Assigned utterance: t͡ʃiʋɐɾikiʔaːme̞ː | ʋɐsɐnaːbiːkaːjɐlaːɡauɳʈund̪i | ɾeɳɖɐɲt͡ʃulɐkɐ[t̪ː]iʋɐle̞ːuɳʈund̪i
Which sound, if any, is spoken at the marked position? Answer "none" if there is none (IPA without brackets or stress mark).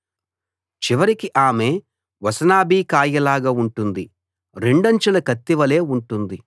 t̪ː